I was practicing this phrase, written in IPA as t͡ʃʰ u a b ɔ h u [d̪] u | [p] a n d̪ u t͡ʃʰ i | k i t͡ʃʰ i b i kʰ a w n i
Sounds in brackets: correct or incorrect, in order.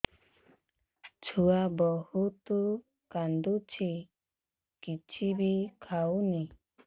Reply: incorrect: t̪, incorrect: k

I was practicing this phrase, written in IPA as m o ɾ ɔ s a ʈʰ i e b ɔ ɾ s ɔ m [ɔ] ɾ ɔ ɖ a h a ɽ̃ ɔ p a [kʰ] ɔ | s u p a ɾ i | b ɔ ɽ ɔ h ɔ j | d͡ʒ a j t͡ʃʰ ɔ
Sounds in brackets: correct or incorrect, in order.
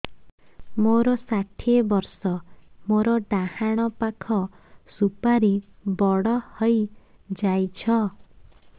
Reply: incorrect: o, correct

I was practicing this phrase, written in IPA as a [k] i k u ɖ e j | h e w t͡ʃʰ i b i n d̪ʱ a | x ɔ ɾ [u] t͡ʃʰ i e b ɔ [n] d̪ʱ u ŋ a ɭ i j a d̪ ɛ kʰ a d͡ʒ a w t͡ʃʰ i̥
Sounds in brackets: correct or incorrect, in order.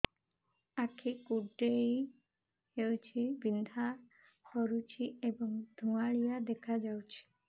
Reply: incorrect: kʰ, correct, incorrect: ŋ

